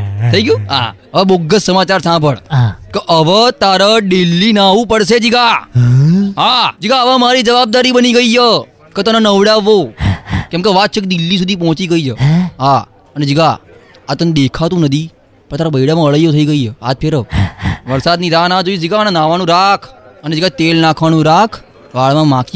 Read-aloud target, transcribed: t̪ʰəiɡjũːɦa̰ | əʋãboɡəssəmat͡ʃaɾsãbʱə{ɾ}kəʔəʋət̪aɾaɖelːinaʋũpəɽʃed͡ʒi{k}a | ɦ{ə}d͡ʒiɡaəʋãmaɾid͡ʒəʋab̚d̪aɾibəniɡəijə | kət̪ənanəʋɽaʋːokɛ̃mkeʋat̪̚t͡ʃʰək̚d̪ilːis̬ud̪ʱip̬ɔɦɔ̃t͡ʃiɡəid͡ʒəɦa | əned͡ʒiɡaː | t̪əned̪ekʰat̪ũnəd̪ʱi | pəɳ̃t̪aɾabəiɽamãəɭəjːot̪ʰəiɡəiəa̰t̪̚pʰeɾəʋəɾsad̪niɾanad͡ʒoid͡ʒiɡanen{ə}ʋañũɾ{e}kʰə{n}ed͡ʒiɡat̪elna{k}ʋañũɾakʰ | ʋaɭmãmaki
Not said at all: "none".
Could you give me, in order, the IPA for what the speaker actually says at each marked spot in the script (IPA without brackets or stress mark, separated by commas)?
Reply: ɭ, ɡ, a, a, a, n, kʰ